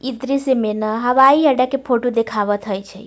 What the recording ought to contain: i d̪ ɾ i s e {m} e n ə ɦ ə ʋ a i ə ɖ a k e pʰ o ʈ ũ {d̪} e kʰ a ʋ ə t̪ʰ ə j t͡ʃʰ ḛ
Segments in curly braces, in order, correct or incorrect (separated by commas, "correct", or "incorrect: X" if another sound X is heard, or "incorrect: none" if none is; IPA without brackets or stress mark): correct, correct